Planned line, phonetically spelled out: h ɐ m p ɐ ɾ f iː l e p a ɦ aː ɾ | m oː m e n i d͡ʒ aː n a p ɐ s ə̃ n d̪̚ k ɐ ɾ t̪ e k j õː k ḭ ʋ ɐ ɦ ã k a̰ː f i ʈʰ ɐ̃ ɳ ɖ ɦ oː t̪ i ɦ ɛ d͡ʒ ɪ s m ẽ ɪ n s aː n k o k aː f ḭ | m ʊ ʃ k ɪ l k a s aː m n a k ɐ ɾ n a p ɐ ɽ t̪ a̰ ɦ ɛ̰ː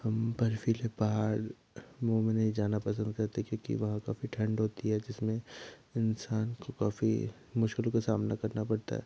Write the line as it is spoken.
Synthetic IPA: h ɐ m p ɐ ɾ f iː l e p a ɦ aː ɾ | m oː m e n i d͡ʒ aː n a p ɐ s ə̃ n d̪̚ k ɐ ɾ t̪ e k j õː k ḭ ʋ ɐ ɦ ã k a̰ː f i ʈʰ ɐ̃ ɳ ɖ ɦ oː t̪ i ɦ ɛ d͡ʒ ɪ s m ẽ ɪ n s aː n k o k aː f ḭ | m ʊ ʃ k ɪ l k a s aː m n a k ɐ ɾ n a p ɐ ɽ t̪ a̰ ɦ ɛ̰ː